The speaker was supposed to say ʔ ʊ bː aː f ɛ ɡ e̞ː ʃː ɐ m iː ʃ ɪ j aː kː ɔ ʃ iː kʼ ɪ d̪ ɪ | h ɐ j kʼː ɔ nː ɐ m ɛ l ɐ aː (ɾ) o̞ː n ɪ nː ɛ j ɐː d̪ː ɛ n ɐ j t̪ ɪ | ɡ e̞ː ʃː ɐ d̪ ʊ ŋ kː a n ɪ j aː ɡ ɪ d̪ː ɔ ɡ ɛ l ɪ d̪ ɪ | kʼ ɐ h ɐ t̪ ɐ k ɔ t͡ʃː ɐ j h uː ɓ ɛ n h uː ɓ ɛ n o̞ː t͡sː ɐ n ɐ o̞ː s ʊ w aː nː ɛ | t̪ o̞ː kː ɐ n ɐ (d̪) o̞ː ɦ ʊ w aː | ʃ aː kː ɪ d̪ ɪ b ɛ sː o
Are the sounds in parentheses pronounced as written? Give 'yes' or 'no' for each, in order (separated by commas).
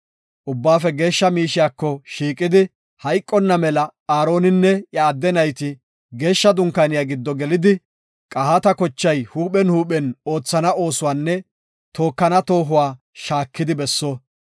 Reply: yes, no